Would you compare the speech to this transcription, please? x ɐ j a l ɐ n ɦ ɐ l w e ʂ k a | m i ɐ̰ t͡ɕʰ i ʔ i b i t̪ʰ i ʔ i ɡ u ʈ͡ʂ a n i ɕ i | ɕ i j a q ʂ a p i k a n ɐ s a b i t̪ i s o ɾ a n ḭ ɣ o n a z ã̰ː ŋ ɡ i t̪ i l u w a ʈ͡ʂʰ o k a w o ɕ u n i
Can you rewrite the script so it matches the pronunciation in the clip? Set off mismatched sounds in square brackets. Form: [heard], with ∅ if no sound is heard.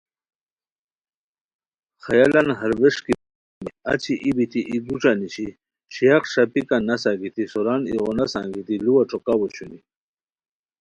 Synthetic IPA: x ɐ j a l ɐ n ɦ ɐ [ɾ] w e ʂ k [i] | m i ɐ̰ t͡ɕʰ i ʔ i b i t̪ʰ i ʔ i ɡ u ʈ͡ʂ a n i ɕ i | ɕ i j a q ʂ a p i k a n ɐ s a [ɡ] i t̪ i s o ɾ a n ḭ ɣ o n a [s] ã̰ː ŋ ɡ i t̪ i l u w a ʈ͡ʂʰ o k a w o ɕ u n i